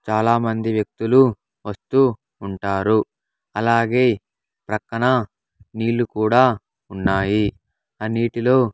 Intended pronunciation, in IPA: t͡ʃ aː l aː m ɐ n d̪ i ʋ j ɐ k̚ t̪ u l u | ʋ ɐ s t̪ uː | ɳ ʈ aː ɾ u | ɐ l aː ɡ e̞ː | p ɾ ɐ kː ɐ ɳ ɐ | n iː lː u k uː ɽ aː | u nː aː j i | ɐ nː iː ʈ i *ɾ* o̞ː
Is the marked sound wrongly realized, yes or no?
yes